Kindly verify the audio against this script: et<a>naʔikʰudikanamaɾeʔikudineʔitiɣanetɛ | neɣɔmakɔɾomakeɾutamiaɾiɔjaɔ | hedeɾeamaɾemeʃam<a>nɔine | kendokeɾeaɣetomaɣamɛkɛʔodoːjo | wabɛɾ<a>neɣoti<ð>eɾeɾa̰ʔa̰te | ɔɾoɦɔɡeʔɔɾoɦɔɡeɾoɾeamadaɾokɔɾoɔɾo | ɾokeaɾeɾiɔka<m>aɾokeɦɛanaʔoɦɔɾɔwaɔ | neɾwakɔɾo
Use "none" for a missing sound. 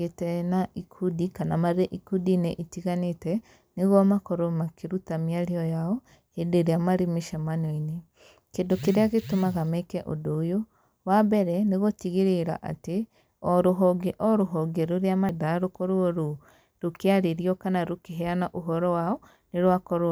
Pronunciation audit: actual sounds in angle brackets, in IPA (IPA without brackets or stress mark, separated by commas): ɛ, a, ɛ, ɣ, n